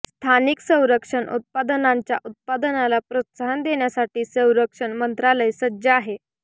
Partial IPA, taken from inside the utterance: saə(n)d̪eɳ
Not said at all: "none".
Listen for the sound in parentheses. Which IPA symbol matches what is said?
n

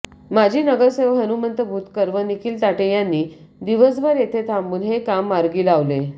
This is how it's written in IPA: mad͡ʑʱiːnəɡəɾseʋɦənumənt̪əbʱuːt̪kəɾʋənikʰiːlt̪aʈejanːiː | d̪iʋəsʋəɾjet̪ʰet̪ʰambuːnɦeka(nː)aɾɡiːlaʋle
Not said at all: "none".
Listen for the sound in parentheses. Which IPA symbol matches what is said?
mː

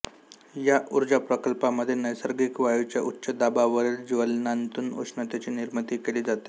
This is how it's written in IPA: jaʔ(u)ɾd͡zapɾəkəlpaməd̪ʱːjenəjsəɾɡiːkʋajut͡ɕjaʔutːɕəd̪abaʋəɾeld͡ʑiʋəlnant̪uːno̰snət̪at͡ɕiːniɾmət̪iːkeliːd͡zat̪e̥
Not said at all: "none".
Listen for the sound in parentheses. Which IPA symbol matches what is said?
u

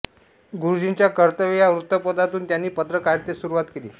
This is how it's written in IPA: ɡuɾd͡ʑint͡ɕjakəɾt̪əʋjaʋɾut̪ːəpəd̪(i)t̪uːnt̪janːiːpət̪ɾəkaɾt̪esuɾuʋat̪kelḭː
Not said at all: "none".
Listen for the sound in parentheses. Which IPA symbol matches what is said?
a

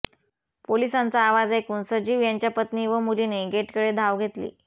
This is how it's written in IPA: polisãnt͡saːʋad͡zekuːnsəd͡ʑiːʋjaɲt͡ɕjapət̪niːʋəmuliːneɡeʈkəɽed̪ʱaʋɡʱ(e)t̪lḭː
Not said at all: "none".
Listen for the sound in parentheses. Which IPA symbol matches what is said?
e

